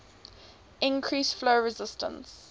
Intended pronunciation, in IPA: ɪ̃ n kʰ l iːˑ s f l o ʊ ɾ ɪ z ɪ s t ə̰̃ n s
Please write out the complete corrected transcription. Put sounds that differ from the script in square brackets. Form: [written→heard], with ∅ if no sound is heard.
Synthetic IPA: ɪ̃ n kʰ [l→ɹ] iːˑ s f l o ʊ [ɾ→ɹ] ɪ z ɪ s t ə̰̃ n s